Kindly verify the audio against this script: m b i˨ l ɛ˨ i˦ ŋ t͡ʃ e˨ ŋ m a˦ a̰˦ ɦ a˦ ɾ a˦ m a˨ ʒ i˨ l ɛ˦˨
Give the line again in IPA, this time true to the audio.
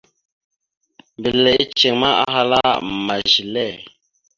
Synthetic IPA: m b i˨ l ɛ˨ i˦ t͡ʃ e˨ ŋ m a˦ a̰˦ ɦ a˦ l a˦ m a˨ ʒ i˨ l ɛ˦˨